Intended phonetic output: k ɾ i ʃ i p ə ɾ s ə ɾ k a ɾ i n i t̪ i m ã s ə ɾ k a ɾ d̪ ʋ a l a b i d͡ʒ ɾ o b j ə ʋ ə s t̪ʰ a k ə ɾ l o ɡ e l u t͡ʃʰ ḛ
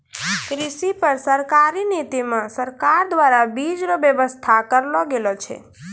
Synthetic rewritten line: k ɾ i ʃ i p ə ɾ s ə ɾ k a ɾ i n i t̪ i m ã s ə ɾ k a ɾ d̪ ʋ a ɾ a b i d͡ʒ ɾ o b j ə ʋ ə s t̪ʰ a k ə ɾ l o ɡ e l o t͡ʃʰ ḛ

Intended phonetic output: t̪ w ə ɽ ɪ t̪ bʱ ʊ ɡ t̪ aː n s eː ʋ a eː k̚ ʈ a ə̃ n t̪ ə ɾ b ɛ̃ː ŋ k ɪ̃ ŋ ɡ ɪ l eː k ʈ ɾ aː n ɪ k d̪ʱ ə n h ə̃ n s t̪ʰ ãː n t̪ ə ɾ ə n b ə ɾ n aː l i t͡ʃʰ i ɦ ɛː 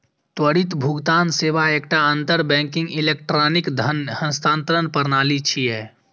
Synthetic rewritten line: t̪ w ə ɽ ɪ t̪ bʱ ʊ ɡ t̪ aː n s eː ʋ a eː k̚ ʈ a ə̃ n t̪ ə ɾ b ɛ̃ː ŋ k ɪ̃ ŋ ɡ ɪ l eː k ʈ ɾ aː n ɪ k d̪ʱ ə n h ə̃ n s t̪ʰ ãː n t̪ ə ɾ ə n p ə ɾ n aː l i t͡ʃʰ i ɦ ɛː

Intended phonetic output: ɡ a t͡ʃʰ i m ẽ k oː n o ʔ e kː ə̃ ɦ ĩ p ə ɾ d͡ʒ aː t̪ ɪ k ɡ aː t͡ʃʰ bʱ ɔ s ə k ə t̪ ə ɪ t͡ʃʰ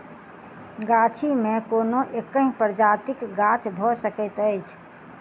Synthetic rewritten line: ɡ a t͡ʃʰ i m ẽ k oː n o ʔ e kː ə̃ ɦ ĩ p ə ɾ d͡ʒ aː t̪ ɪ k ɡ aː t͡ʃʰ bʱ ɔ s ə k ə t̪ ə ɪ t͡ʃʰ

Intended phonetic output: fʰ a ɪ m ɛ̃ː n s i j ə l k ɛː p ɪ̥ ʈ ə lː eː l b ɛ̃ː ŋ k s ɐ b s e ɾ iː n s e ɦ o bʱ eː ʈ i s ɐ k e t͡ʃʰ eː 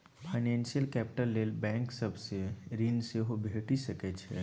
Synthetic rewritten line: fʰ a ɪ n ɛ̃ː n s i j ə l k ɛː p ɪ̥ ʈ ə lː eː l b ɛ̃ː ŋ k s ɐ b s e ɾ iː n s e ɦ o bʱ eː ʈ i s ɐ k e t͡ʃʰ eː

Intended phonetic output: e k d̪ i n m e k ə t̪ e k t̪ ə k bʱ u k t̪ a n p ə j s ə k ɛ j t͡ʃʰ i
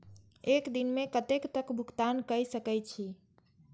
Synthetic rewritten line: e k d̪ i n m e k ə t̪ e k t̪ ə k bʱ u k t̪ a n k ə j s ə k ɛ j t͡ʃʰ i

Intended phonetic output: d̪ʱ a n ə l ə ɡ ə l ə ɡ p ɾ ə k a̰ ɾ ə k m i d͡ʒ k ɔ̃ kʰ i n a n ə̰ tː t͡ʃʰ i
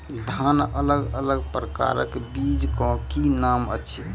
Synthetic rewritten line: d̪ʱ a n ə l ə ɡ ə l ə ɡ p ɾ ə k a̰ ɾ ə k b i d͡ʒ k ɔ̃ k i n a m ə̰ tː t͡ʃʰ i

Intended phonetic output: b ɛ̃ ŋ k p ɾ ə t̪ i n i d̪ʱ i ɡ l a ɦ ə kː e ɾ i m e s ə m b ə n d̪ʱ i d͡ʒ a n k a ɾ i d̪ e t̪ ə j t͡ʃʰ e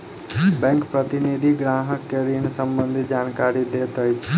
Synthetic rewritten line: b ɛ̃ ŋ k p ɾ ə t̪ i n i d̪ʱ i ɡ ɾ a ɦ ə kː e ɾ i n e s ə m b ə n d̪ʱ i d͡ʒ a n k a ɾ i d̪ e t̪ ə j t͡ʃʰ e

